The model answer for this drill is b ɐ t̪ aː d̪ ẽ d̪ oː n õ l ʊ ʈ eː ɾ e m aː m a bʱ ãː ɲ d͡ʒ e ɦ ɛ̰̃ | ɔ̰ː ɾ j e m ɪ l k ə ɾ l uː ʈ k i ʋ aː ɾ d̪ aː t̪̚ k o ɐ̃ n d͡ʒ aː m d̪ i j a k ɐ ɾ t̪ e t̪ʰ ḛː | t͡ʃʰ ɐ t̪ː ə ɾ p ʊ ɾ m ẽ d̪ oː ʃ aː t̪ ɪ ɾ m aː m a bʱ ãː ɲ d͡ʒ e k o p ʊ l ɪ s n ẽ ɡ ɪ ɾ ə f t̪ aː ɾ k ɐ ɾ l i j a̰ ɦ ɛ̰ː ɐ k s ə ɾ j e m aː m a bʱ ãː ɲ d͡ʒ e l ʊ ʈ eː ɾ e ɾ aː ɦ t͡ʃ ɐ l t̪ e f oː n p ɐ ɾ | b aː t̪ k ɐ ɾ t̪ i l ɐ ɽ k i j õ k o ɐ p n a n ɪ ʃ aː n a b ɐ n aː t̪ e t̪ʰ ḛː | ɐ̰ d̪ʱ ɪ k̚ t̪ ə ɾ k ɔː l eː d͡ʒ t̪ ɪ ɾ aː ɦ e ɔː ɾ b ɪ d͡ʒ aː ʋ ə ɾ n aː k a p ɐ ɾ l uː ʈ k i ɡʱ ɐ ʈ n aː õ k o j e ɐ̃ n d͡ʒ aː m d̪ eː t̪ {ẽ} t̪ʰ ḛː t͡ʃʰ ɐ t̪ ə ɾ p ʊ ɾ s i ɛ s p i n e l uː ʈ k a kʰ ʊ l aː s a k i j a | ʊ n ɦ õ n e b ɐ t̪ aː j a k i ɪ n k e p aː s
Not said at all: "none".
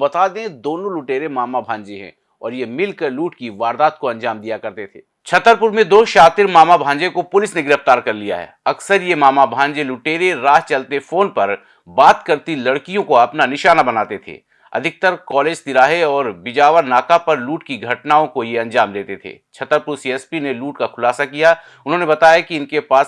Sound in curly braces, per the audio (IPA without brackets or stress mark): e